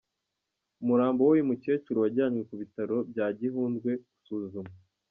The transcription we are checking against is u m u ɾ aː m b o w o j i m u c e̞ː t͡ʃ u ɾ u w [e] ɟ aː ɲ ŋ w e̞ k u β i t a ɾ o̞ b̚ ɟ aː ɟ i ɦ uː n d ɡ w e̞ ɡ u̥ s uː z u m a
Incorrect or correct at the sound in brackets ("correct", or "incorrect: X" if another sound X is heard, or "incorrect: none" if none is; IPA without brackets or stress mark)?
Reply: incorrect: a